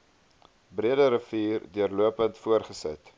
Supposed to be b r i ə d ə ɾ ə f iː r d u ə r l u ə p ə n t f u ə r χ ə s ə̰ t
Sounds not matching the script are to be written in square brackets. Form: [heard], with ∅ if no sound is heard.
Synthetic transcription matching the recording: b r i ə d ə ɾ ə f iː r d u ə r l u ə p ə n t f u ə r χ ə s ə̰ t